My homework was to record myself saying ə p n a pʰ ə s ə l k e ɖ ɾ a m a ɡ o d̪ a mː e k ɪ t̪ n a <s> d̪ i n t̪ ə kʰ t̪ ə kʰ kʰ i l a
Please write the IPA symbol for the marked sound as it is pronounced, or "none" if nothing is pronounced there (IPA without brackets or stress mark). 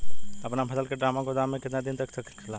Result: none